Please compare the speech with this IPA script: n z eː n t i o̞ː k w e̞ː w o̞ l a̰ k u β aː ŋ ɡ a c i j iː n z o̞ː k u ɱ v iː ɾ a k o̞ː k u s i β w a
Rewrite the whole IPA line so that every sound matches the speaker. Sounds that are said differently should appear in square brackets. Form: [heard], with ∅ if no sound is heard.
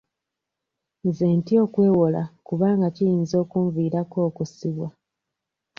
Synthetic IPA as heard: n z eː n t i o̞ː k w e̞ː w o̞ l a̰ k u β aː ŋ ɡ a c i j iː n z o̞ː k u ɱ v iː ɾ a k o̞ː k u s i β w a